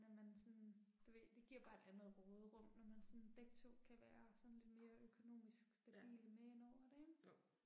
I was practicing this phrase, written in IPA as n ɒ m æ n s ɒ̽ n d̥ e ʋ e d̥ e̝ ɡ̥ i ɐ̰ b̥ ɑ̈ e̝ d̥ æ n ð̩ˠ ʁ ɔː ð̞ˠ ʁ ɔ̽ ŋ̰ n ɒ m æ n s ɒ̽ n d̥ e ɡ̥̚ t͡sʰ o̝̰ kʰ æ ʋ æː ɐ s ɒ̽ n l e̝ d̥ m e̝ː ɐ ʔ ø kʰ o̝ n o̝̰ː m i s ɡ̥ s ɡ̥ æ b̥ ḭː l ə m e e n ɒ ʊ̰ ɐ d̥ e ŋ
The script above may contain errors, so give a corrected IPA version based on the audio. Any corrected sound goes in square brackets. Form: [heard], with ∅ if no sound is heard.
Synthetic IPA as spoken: n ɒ m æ n s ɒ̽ n d̥ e ʋ e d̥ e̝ ɡ̥ i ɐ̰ b̥ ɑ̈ e̝ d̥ æ n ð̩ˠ ʁ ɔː ð̞ˠ ʁ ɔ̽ [m̰] n ɒ m æ n s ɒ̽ n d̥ e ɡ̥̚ t͡sʰ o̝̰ kʰ æ ʋ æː ɐ s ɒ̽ n l e̝ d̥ m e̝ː ɐ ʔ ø kʰ o̝ n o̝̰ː m i s ɡ̥ s [d̥] æ b̥ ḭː l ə m e e n ɒ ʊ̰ ɐ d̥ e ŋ